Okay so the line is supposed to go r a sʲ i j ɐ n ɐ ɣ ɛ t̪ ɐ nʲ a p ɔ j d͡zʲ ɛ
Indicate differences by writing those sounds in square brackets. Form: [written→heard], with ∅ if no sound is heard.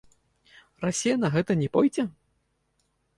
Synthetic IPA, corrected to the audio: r a sʲ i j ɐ n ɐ ɣ ɛ t̪ ɐ nʲ [a→ɛ] p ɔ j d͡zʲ ɛ